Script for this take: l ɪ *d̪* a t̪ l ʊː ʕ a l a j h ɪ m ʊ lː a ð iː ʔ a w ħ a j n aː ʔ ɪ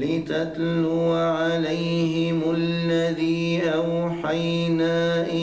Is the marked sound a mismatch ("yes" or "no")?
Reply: yes